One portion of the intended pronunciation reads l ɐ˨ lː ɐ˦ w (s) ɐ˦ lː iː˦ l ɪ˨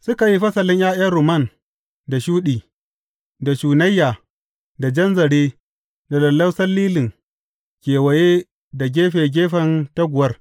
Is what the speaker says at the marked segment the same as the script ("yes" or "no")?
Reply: yes